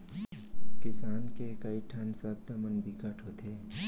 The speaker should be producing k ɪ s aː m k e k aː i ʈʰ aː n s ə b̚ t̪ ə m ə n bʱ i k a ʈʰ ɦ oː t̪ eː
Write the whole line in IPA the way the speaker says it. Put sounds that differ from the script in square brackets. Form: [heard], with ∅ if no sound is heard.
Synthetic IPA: k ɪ s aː [n] k e k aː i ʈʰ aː n s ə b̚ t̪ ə m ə n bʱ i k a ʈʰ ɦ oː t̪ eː